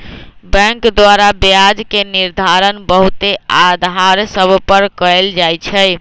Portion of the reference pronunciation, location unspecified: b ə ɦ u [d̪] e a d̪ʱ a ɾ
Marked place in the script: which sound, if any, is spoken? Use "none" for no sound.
t̪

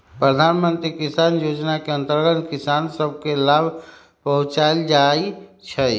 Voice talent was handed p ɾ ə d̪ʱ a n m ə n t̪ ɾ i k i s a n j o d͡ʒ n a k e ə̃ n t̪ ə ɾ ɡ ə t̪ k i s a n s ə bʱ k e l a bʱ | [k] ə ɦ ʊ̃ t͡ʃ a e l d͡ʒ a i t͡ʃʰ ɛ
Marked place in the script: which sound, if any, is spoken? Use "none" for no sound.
p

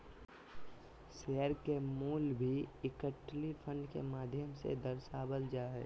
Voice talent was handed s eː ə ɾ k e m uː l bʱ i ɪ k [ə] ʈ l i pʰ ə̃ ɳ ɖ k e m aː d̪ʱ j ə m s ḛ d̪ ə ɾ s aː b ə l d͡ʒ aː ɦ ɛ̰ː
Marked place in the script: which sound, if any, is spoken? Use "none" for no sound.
ə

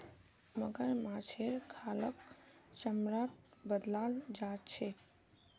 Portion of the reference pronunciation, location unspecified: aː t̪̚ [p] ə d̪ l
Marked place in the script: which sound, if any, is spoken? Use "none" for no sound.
b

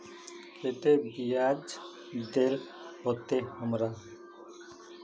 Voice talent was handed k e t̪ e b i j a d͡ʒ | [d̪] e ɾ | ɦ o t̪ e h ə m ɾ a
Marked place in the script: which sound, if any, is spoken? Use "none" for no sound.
d̪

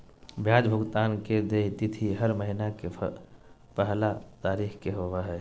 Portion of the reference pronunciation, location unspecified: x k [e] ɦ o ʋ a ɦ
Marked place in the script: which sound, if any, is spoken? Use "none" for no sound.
e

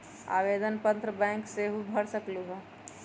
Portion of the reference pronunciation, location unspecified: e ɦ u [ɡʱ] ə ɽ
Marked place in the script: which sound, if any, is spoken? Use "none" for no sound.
bʱ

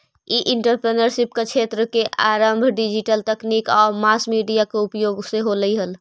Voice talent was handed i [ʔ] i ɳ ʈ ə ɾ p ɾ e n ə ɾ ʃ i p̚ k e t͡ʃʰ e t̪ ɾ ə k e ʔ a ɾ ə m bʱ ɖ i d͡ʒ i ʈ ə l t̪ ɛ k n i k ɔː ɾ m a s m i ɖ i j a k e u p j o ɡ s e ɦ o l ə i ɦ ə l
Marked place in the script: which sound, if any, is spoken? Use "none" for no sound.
ʔ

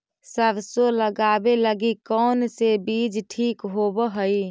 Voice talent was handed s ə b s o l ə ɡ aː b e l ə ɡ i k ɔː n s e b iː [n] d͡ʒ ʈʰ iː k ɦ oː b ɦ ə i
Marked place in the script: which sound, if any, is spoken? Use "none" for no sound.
none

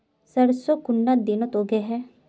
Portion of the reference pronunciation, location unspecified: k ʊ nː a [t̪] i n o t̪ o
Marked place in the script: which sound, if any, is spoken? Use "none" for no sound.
d̪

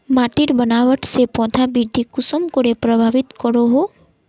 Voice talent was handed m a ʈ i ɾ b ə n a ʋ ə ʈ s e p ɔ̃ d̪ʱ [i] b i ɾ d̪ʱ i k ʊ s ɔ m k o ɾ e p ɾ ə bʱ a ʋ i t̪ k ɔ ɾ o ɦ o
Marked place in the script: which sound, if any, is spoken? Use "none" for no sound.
a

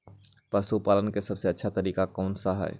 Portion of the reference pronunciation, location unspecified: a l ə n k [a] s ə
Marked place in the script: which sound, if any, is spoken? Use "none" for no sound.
e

